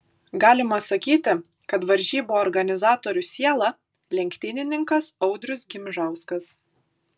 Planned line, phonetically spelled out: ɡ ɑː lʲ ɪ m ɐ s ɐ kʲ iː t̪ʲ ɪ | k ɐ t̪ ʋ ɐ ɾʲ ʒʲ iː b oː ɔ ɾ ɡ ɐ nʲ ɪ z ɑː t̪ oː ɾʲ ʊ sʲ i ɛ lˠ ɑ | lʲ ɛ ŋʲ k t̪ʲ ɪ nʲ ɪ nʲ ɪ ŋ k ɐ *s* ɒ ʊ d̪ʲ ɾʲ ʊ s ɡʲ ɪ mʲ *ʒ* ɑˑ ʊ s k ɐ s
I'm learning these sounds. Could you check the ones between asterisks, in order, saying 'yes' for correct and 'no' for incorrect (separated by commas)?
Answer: yes, yes